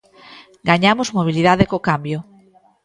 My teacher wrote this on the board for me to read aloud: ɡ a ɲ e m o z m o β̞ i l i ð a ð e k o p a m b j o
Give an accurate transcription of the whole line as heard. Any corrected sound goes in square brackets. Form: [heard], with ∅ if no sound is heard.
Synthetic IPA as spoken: ɡ a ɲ [a] m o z m o β̞ i l i ð a ð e k o [k] a m b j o